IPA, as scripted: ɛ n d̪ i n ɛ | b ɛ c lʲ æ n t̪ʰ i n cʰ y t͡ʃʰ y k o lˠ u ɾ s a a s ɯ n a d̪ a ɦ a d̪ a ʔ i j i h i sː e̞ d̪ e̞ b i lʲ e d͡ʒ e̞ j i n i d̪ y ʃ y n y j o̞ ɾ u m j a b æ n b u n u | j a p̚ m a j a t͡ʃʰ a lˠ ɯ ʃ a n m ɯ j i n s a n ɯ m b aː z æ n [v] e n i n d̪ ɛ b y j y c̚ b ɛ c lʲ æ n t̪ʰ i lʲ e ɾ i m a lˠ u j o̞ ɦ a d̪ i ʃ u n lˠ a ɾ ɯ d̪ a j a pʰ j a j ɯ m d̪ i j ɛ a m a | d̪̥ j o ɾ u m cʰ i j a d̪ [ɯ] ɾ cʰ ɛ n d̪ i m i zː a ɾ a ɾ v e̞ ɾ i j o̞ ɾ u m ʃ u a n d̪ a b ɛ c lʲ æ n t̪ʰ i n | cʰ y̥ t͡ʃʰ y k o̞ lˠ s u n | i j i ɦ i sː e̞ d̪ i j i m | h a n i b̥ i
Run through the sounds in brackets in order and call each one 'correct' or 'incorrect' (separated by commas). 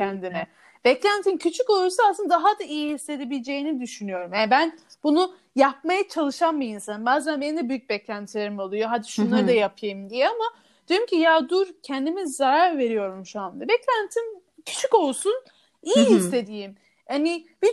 incorrect, incorrect